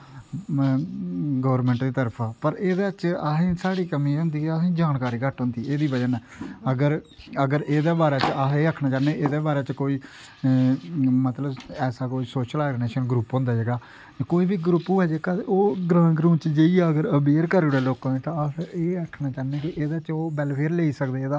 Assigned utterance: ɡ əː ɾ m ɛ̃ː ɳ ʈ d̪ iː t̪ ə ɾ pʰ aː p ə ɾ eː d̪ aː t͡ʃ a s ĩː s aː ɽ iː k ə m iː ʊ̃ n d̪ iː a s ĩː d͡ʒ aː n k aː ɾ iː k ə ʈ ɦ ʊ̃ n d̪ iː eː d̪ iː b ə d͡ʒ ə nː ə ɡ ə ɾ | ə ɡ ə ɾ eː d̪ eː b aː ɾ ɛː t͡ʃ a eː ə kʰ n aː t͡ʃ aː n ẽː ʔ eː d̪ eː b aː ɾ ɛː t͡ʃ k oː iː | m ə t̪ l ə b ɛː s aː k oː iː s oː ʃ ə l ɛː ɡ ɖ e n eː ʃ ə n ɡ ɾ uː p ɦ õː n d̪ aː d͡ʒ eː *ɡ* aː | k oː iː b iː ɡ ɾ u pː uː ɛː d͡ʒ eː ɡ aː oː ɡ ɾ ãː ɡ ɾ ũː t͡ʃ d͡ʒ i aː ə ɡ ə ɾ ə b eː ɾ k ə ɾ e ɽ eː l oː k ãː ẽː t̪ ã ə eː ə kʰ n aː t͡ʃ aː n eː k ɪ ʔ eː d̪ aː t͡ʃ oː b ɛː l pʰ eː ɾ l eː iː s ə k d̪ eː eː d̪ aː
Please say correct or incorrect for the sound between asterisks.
correct